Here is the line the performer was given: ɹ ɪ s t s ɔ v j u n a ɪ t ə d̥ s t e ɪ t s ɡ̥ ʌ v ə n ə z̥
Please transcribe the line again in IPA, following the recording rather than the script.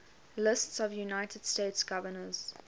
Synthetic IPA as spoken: l ɪ s t s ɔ v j u n a ɪ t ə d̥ s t e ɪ t s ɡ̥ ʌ v ə n ə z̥